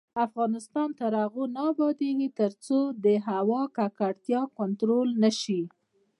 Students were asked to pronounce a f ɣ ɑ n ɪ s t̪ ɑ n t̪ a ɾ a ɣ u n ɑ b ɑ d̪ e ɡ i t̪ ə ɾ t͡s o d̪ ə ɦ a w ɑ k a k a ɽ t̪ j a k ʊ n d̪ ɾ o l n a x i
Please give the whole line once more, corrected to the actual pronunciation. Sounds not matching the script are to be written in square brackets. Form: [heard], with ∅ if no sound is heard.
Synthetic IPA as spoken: a f ɣ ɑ n ɪ s t̪ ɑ n t̪ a ɾ a ɣ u n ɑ b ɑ d̪ e ɡ i t̪ ə ɾ t͡s o d̪ ə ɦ a w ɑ k a k a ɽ t̪ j [ɑ] k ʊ n [t̪] ɾ o l n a [ʃ] i